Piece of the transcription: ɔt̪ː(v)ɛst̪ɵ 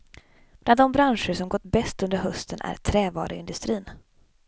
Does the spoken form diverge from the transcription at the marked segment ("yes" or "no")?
yes